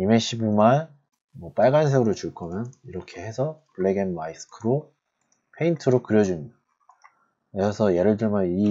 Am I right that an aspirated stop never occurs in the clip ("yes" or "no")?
no